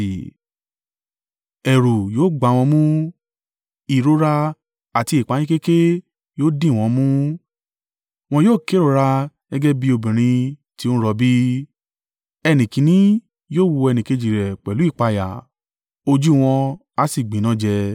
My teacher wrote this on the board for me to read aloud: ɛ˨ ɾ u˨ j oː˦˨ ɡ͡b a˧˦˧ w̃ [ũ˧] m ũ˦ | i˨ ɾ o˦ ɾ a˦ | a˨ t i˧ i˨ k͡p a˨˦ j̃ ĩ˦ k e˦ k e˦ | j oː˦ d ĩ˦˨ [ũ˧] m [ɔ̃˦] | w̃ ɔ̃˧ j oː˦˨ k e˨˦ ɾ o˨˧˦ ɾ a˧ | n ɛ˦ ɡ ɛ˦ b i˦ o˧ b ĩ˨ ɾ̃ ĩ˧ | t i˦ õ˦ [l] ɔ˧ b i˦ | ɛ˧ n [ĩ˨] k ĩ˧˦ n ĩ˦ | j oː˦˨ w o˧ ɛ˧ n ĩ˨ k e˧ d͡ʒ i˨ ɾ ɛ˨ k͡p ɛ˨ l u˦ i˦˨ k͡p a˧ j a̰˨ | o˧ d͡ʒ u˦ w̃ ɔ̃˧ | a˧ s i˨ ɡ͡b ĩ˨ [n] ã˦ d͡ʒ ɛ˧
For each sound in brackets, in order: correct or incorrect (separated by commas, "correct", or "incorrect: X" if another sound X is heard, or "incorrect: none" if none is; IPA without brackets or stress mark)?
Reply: incorrect: ɔ̃˧, incorrect: ɔ̃˧, incorrect: ũ˦, incorrect: ɾ, correct, correct